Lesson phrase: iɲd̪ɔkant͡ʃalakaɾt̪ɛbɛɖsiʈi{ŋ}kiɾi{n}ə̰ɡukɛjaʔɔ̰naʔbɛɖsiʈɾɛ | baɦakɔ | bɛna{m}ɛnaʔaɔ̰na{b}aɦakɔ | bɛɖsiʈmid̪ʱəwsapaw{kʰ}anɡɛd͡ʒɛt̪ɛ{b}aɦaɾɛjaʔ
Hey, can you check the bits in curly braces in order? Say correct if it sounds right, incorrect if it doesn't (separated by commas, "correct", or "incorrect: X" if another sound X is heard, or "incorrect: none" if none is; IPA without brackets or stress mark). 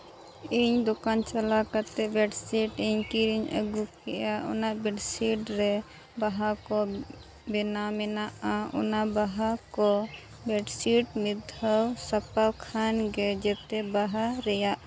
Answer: incorrect: ɲ, incorrect: ɲ, correct, correct, correct, correct